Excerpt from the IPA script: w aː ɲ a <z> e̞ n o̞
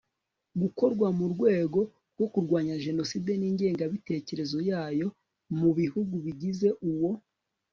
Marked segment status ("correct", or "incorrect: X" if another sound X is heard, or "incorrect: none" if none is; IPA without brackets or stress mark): incorrect: ʒ